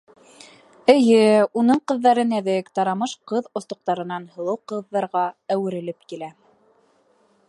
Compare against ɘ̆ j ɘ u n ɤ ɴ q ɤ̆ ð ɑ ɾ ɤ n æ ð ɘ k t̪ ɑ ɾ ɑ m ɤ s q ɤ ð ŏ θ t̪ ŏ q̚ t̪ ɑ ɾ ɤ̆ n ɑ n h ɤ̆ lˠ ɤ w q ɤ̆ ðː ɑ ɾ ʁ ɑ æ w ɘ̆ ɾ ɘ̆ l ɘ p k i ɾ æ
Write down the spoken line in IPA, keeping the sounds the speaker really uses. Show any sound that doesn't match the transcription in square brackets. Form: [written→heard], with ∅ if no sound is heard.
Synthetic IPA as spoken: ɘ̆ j ɘ u n ɤ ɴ q ɤ̆ [ð→ðː] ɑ ɾ ɤ n æ ð ɘ k t̪ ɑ ɾ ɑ m ɤ [s→ʃ] q ɤ ð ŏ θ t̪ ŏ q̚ t̪ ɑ ɾ ɤ̆ n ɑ n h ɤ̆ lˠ ɤ w q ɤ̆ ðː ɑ ɾ ʁ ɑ æ w ɘ̆ ɾ ɘ̆ l ɘ p k i [ɾ→l] æ

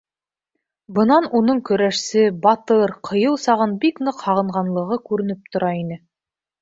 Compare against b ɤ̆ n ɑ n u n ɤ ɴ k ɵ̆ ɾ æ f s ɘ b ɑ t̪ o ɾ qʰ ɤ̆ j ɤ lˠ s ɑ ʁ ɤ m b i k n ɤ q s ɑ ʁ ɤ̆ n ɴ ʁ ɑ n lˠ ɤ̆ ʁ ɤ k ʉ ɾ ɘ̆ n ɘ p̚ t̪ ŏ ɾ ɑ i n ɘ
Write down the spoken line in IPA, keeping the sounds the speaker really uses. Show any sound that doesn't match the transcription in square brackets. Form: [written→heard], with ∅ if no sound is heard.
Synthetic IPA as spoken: b ɤ̆ n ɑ n u n ɤ ɴ k ɵ̆ ɾ æ [f→ʃ] s ɘ b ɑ t̪ [o→ɤ] ɾ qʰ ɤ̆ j ɤ lˠ s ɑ ʁ ɤ [m→n] b i k n ɤ q [s→h] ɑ ʁ ɤ̆ [n→∅] ɴ ʁ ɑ n lˠ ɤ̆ ʁ ɤ k ʉ ɾ ɘ̆ n ɘ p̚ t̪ ŏ ɾ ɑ i n ɘ

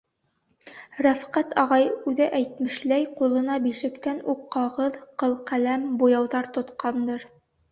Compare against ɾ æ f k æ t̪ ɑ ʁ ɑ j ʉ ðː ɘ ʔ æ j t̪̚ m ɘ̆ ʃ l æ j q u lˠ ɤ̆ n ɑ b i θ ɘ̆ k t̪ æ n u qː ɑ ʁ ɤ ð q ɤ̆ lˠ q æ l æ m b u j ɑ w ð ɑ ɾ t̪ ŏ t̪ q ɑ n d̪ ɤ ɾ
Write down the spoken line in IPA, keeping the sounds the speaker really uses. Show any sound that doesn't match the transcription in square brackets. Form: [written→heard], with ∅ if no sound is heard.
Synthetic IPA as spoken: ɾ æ f [k→q] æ t̪ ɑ ʁ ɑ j ʉ [ðː→ð] ɘ ʔ æ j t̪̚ m ɘ̆ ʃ l æ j q u lˠ ɤ̆ n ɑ b i [θ→ʃ] ɘ̆ k t̪ æ n u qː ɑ ʁ ɤ ð q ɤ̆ lˠ q æ l æ m b u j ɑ w ð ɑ ɾ t̪ ŏ t̪ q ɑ n d̪ ɤ ɾ

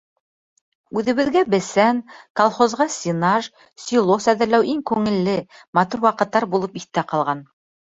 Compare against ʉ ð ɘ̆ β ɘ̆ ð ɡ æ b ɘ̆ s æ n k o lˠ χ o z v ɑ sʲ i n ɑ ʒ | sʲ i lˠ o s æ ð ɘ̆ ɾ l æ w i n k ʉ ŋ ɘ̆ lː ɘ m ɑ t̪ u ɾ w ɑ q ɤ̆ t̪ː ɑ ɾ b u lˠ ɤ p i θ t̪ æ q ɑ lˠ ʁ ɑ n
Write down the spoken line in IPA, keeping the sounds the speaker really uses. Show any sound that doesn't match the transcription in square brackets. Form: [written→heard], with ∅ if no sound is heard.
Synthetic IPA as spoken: ʉ ð ɘ̆ β ɘ̆ ð ɡ æ b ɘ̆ s æ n k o lˠ χ o z [v→ʁ] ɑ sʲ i n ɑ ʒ | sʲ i lˠ o s æ ð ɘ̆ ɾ l æ w i [n→ŋ] k ʉ ŋ ɘ̆ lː ɘ m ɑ t̪ u ɾ w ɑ q ɤ̆ t̪ː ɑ ɾ b u lˠ ɤ p i θ t̪ æ q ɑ lˠ ʁ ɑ n

